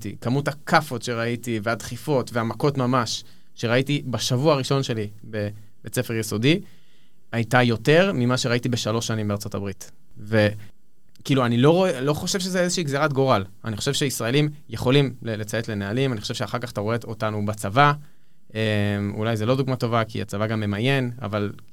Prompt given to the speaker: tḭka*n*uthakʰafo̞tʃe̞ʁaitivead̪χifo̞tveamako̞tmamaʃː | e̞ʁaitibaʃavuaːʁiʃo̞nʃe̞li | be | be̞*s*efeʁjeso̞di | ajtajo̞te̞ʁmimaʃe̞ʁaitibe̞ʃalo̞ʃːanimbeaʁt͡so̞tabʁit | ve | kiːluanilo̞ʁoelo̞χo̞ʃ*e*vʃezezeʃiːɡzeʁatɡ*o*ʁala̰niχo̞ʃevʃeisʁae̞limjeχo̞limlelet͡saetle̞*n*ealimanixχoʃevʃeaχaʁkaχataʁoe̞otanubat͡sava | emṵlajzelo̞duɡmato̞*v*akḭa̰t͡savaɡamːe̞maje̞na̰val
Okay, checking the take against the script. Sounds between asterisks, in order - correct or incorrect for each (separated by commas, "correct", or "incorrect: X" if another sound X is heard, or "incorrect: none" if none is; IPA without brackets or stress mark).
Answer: incorrect: m, incorrect: t͡s, correct, correct, correct, correct